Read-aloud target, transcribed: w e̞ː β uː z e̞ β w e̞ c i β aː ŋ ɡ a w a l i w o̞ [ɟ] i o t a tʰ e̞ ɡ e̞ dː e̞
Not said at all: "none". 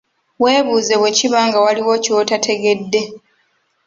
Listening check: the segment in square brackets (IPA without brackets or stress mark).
c